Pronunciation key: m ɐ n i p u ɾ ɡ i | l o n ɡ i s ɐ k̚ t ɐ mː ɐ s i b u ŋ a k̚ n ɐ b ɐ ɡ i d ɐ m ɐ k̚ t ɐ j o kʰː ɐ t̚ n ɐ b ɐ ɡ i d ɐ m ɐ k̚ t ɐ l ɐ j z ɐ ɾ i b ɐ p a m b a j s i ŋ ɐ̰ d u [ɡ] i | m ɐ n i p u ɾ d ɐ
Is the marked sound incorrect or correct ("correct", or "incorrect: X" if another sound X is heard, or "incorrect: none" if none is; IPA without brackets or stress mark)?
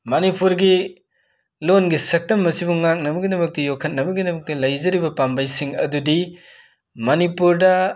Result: incorrect: d